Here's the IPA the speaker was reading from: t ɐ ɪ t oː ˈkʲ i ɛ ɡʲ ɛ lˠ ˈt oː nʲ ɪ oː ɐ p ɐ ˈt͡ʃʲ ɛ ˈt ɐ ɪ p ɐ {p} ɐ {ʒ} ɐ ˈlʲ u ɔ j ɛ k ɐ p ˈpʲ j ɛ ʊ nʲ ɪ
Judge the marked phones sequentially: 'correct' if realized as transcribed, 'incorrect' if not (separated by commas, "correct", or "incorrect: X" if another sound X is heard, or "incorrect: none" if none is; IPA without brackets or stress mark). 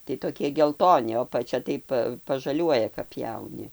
correct, correct